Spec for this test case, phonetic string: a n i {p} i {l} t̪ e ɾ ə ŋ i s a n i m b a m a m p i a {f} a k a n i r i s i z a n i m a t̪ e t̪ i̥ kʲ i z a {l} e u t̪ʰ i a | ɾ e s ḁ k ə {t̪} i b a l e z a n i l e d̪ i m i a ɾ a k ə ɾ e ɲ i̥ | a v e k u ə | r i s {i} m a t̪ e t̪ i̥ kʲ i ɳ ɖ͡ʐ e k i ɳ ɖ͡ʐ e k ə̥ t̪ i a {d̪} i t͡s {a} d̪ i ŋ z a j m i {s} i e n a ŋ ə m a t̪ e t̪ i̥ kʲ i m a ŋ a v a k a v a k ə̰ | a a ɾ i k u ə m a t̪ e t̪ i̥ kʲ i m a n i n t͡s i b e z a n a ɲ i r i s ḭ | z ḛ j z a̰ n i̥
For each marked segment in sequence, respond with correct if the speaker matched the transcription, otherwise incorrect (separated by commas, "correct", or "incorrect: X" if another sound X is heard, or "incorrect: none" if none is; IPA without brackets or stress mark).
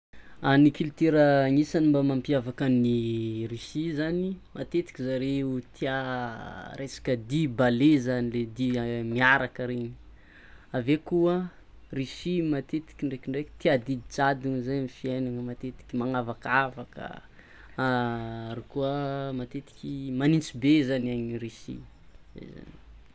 incorrect: k, correct, incorrect: v, incorrect: ɾ, incorrect: d̪, correct, correct, correct, incorrect: f